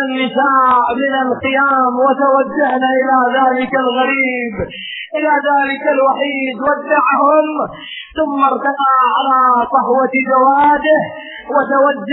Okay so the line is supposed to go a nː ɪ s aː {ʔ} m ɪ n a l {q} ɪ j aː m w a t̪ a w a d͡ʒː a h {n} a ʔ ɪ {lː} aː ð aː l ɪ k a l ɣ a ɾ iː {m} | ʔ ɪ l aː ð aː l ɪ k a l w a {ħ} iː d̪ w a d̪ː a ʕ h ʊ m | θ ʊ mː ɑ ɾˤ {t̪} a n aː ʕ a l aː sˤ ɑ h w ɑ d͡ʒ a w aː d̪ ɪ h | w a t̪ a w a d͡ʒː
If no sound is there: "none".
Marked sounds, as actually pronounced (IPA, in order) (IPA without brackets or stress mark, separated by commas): ʔ, q, n, l, b, ħ, t̪